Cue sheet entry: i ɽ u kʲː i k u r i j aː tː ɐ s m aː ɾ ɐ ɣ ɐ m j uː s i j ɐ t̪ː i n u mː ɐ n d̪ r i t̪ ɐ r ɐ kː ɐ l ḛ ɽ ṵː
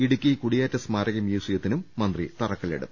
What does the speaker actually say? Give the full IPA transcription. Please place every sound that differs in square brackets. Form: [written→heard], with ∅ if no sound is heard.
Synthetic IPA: i ɽ u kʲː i k u [r→ɽ] i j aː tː ɐ s m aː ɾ ɐ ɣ ɐ m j uː s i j ɐ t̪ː i n u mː ɐ n d̪ r i t̪ ɐ r ɐ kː ɐ l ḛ ɽ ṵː

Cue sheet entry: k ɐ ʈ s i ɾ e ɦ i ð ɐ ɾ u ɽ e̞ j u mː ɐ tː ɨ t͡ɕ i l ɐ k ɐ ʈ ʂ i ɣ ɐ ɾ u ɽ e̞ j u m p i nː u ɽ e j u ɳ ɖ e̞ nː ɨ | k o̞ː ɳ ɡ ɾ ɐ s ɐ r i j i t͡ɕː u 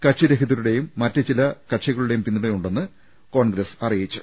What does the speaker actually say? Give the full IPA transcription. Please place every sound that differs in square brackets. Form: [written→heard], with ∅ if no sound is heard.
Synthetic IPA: k ɐ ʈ [s→ʂ] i ɾ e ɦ i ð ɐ ɾ u ɽ e̞ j u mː ɐ tː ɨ t͡ɕ i l ɐ k ɐ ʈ ʂ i ɣ ɐ [ɾ→ɭ] u ɽ e̞ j u m p i nː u ɽ e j u ɳ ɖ e̞ nː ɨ | k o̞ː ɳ ɡ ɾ ɐ s ɐ r i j i t͡ɕː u

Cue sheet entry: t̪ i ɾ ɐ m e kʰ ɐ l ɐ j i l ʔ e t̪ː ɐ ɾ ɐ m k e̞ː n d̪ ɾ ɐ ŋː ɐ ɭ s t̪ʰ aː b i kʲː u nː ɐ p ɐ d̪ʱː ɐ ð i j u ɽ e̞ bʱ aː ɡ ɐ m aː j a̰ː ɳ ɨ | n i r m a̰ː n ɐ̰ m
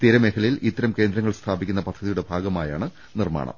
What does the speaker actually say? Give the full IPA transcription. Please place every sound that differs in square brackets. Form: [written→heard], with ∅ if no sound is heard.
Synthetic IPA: t̪ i ɾ ɐ m e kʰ ɐ l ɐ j i l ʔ [e→i] t̪ː ɐ ɾ ɐ m k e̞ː n d̪ ɾ ɐ ŋː ɐ ɭ s t̪ʰ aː b i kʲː u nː ɐ p ɐ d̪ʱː ɐ ð i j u ɽ e̞ bʱ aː ɡ ɐ m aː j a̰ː ɳ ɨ | n i r m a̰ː [n→ɳ] ɐ̰ m

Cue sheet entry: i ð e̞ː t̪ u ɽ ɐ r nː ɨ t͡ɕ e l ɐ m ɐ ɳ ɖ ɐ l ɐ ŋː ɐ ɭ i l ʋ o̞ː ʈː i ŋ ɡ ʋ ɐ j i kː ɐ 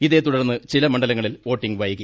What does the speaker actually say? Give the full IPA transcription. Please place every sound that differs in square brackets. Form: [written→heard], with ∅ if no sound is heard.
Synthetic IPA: i ð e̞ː t̪ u ɽ ɐ r nː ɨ t͡ɕ [e→i] l ɐ m ɐ ɳ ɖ ɐ l ɐ ŋː ɐ ɭ i l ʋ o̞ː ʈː i ŋ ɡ ʋ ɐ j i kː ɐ

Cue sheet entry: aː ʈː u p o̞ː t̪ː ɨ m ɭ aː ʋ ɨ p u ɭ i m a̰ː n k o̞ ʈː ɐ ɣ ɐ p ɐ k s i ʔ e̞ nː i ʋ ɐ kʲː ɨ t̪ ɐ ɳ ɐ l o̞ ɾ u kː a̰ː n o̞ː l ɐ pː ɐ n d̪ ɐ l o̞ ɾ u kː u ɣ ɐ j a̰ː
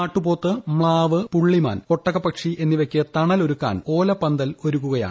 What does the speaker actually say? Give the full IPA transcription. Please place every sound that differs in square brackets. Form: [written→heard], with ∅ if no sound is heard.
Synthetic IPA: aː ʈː u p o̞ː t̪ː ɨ m ɭ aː ʋ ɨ p u [ɭ→ɭː] i m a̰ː n k o̞ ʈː ɐ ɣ ɐ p ɐ k [s→ʂ] i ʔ e̞ nː i ʋ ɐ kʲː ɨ t̪ ɐ ɳ ɐ l o̞ ɾ u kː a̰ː n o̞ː l ɐ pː ɐ n d̪ ɐ l o̞ ɾ u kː u ɣ ɐ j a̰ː

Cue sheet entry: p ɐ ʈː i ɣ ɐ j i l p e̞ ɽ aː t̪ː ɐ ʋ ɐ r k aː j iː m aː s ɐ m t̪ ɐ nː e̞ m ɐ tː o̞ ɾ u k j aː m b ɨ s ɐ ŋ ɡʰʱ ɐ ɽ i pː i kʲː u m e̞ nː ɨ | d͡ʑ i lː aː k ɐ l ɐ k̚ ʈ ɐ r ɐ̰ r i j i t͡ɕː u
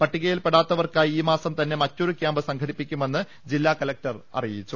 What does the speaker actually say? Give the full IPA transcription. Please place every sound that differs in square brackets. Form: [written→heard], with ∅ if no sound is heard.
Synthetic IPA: p ɐ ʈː i ɣ ɐ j i l p e̞ ɽ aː t̪ː ɐ ʋ ɐ r k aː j iː m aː s ɐ m t̪ ɐ nː e̞ m ɐ tː o̞ ɾ u k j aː m b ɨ s ɐ ŋ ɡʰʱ ɐ ɽ i pː i kʲː u m e̞ nː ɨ | d͡ʑ i lː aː k ɐ l ɐ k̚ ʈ ɐ r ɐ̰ r i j i t͡ɕː u

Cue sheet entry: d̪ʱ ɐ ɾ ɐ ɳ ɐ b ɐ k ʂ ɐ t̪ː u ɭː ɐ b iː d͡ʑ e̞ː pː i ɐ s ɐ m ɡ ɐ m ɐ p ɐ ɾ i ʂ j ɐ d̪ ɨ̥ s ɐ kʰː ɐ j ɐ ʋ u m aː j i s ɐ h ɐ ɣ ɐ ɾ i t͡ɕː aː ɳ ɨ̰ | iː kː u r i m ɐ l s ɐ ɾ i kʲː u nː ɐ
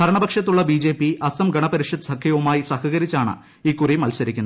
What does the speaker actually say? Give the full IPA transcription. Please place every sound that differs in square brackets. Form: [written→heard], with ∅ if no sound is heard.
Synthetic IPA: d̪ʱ ɐ ɾ ɐ ɳ ɐ b ɐ k ʂ ɐ t̪ː u ɭː ɐ b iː d͡ʑ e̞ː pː i ɐ s ɐ m ɡ ɐ [m→ɳ] ɐ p ɐ ɾ i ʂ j ɐ d̪ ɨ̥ s ɐ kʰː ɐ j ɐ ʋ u m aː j i s ɐ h ɐ ɣ ɐ ɾ i t͡ɕː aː ɳ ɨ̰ | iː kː u r i m ɐ l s ɐ ɾ i kʲː u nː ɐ

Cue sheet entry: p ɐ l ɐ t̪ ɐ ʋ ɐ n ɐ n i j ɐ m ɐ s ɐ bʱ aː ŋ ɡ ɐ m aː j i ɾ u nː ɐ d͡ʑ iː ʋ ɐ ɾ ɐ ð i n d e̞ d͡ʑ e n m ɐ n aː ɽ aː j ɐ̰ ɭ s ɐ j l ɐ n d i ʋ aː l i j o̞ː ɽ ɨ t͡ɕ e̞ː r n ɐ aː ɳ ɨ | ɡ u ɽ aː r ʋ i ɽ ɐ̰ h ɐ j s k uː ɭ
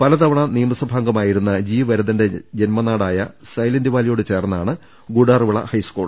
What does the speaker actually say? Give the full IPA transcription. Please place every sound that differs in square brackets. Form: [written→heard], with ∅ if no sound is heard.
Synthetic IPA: p ɐ l ɐ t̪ ɐ ʋ ɐ [n→ɳ] ɐ n i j ɐ m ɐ s ɐ bʱ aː ŋ ɡ ɐ m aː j i ɾ u nː ɐ d͡ʑ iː ʋ ɐ ɾ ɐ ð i n d e̞ d͡ʑ e n m ɐ n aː ɽ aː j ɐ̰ [ɭ→∅] s ɐ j l ɐ n d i ʋ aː l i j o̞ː ɽ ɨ t͡ɕ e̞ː r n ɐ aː ɳ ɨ | ɡ u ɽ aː r ʋ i [ɽ→ɭ] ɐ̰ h ɐ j s k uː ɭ

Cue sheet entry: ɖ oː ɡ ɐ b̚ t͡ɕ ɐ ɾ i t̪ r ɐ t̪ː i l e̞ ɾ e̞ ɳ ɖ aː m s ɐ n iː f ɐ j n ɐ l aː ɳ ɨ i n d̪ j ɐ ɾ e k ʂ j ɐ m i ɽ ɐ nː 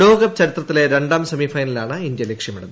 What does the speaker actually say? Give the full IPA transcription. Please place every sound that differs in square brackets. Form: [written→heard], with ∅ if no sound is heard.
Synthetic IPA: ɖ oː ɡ ɐ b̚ t͡ɕ ɐ ɾ i t̪ r ɐ t̪ː i l e̞ ɾ e̞ ɳ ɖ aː m s ɐ [n→m] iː f ɐ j n ɐ l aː ɳ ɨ i n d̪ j ɐ [ɾ→l] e k ʂ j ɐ m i ɽ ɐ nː

